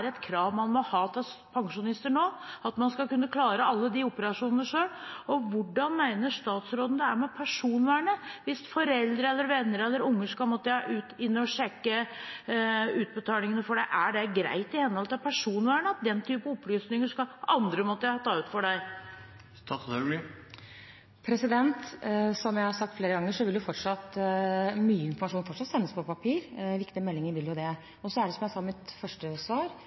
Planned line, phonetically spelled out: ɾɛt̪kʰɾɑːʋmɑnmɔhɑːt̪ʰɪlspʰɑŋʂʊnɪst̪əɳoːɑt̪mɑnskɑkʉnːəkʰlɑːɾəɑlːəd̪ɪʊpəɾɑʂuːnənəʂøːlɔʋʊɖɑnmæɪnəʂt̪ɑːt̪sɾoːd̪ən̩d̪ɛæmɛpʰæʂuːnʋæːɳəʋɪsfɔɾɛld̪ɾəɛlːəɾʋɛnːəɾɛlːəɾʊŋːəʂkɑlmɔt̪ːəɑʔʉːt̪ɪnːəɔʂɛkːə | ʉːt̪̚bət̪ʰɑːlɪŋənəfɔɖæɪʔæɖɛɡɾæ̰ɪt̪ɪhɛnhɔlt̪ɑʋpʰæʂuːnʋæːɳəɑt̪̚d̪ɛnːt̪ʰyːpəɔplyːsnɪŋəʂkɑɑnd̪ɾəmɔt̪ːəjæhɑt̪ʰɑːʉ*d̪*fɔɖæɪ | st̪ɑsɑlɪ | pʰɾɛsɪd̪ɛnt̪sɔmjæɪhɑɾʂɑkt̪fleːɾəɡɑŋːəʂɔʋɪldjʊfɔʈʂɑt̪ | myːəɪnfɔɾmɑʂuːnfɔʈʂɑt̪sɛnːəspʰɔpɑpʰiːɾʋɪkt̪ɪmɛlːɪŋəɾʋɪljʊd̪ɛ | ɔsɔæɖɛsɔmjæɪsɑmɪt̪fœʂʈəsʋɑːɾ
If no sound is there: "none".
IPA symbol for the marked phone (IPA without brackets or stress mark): t̪